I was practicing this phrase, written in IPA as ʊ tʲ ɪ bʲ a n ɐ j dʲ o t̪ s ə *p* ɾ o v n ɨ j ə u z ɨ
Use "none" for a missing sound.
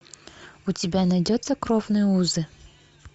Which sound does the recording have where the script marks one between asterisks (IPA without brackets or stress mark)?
k